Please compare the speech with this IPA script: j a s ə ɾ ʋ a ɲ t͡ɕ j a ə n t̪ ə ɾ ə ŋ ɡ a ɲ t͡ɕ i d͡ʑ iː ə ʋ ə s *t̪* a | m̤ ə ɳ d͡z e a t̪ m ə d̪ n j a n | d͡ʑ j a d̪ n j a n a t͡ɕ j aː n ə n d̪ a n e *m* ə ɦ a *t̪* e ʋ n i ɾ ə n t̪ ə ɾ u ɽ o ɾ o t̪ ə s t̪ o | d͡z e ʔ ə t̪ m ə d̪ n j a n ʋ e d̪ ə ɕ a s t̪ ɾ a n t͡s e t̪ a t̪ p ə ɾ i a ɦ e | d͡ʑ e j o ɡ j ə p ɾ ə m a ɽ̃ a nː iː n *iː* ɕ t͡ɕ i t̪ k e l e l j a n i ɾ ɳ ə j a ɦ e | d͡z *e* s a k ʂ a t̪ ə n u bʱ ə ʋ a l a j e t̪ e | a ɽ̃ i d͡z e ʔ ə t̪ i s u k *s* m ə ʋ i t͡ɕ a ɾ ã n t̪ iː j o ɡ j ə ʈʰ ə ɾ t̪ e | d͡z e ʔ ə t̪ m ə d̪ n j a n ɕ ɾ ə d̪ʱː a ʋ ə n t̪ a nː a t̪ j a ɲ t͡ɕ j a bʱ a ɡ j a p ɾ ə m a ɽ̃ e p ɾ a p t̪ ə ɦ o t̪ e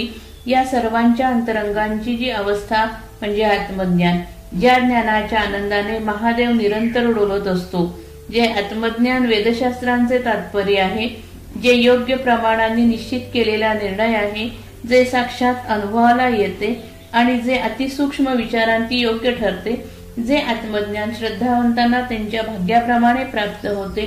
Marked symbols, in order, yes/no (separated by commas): no, yes, no, no, yes, no